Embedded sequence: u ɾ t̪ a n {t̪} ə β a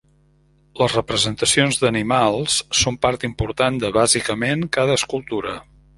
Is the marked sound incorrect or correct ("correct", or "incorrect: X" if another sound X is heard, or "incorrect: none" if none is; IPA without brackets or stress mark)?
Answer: incorrect: d̪